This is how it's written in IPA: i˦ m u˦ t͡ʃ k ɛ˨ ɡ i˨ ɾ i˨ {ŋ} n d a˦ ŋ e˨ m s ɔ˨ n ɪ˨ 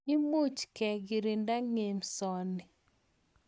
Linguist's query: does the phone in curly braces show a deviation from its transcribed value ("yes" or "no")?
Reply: yes